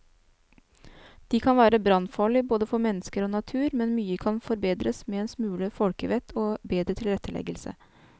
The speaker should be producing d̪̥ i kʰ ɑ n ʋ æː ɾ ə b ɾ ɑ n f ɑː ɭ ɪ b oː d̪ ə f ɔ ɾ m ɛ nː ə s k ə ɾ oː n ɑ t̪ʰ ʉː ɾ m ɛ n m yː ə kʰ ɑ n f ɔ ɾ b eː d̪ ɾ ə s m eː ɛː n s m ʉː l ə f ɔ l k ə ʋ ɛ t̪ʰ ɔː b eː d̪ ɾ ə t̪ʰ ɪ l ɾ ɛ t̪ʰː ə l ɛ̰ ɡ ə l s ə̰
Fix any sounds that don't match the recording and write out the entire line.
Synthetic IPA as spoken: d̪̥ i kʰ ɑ n ʋ æː ɾ ə b ɾ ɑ n f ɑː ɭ ɪ b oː d̪ ə f ɔ ɾ m ɛ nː ə s k ə ɾ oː n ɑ t̪ʰ ʉː ɾ m ɛ n m yː ə kʰ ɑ n f ɔ ɾ b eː d̪ ɾ ə s m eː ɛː n s m ʉː l ə f ɔ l k ə ʋ ɛ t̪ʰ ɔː b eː d̪ ɾ ə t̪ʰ ɪ l ɾ ɛ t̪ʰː ə l ɛ̰ ɡ ə l s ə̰